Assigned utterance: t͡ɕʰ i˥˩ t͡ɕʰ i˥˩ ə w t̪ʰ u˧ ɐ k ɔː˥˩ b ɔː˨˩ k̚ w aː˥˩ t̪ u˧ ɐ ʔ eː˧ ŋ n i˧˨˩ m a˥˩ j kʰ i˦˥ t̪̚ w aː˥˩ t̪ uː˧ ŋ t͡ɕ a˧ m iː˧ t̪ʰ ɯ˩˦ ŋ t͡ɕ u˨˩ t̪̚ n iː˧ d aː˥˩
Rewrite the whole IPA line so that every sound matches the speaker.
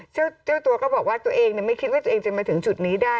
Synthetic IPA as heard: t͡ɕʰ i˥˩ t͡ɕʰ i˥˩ ə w t̪ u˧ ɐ k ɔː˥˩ b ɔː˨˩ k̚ w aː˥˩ t̪ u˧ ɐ ʔ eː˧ ŋ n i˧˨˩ m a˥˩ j kʰ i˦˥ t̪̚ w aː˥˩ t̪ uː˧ ŋ t͡ɕ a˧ m aː˧ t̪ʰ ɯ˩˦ ŋ t͡ɕ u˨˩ t̪̚ n iː˦˥ d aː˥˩